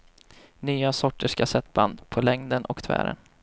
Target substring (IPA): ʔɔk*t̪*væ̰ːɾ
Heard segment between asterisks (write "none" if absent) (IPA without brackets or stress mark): t̪ʰ